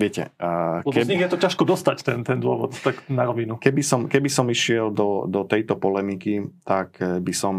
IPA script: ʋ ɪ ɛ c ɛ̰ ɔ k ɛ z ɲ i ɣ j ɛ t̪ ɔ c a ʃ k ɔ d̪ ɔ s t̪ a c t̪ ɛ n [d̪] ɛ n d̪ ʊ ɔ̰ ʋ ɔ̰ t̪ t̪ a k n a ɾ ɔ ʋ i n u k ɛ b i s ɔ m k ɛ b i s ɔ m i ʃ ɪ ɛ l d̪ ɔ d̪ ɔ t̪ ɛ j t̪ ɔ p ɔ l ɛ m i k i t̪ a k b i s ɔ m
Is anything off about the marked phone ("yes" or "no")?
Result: yes